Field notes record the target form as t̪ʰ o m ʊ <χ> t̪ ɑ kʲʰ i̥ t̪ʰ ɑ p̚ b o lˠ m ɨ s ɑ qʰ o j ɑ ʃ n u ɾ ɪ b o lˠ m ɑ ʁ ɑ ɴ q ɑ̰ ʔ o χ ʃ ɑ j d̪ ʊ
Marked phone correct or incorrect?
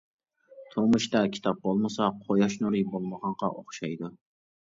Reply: incorrect